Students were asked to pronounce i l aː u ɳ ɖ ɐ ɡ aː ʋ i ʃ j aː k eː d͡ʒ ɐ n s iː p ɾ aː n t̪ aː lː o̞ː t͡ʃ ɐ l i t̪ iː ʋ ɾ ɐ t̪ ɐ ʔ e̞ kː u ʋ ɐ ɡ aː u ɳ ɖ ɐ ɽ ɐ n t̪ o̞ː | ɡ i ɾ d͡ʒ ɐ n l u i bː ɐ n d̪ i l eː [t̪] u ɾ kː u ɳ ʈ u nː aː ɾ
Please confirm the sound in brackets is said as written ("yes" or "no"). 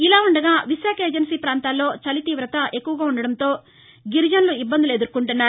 no